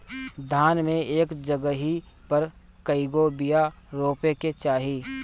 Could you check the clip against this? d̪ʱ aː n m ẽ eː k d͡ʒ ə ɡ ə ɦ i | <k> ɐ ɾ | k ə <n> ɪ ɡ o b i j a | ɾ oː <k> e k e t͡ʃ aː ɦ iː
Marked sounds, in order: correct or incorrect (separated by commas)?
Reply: incorrect, incorrect, incorrect